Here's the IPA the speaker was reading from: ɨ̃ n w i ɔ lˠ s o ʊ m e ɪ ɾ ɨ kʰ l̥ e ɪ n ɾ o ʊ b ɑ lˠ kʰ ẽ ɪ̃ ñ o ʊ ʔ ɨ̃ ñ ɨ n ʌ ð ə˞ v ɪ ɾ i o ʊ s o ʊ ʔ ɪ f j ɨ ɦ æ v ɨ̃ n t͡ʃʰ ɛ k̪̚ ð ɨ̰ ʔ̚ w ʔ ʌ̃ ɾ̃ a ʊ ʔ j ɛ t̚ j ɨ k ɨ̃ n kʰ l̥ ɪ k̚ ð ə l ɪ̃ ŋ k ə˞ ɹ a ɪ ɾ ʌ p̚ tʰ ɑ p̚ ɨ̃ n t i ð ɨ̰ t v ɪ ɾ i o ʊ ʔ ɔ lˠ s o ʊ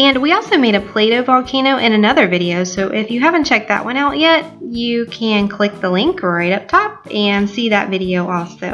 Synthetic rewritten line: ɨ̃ n w i ɔ lˠ s o ʊ m e ɪ ɾ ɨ pʰ l̥ e ɪ ɾ o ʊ v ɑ lˠ kʰ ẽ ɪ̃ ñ o ʊ ʔ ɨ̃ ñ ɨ n ʌ ð ə˞ v ɪ ɾ i o ʊ s o ʊ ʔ ɪ f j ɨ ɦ æ v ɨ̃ n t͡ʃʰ ɛ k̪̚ ð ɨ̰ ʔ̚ w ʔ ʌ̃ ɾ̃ a ʊ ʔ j ɛ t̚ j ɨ kʰ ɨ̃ n kʰ l̥ ɪ k̚ ð ə l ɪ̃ ŋ k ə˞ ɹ a ɪ ɾ ʌ p̚ tʰ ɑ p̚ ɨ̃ n s i ð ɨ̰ t v ɪ ɾ i o ʊ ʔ ɔ lˠ s o ʊ